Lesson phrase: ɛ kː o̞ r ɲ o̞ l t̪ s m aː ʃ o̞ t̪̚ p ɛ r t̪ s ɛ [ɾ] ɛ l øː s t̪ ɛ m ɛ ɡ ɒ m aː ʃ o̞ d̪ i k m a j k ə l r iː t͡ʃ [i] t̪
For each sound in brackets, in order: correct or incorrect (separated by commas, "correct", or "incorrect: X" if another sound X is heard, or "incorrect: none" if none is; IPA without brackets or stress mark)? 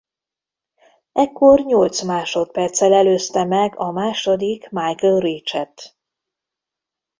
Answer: incorrect: l, incorrect: ɛ